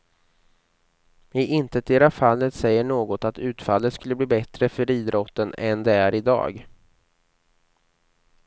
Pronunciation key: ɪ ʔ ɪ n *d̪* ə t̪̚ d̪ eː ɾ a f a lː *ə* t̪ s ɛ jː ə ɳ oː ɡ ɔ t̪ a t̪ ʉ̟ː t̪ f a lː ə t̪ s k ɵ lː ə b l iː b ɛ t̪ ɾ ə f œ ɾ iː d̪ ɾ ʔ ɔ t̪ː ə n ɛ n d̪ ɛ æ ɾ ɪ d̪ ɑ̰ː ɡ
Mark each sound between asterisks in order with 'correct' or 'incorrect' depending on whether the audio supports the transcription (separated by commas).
incorrect, correct